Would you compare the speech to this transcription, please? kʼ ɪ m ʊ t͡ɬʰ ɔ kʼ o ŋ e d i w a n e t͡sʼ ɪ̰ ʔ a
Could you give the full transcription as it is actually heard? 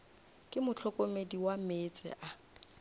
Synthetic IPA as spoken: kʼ ɪ m ʊ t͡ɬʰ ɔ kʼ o m e d i w a m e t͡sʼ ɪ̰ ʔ a

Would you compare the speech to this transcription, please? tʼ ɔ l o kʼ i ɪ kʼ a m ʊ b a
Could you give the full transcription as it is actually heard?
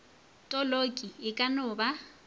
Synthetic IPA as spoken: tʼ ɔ l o kʼ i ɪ kʼ a n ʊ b a

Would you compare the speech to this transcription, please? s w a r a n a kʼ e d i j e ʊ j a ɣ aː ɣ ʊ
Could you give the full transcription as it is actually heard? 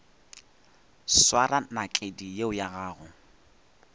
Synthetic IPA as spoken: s w a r a n a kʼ e d i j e ʊ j a ɣ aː ɣ ʊ

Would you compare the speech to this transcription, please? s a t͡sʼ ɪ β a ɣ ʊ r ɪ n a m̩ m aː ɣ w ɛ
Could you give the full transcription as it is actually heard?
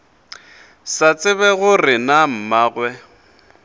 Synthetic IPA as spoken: s a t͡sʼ ɪ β ɛ ɣ ʊ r ɪ n a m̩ m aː ɣ w ɛ

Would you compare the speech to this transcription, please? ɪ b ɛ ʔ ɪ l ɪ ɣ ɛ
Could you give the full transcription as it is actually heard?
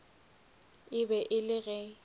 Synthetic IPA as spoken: ɪ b ɛ ʔ ɪ l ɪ ɣ ɛ

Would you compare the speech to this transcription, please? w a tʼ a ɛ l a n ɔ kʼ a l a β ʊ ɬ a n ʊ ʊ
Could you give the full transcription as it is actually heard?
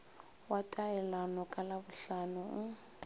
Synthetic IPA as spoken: w a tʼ a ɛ l a n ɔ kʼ a l a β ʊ ɬ a n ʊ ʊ

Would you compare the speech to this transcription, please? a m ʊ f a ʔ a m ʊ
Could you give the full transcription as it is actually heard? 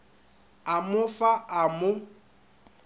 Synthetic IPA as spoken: a m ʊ f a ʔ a m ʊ

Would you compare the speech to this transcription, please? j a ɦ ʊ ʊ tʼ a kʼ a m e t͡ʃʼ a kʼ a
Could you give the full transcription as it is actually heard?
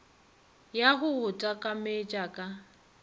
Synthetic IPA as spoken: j a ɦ ʊ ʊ tʼ a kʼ a m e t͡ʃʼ a kʼ a

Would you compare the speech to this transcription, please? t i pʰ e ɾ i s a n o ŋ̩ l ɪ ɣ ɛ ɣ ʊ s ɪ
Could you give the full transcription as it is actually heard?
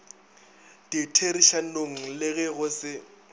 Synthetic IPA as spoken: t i tʰ e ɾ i ʃ a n o ŋ̩ l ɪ ɣ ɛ ɣ ʊ s ɪ

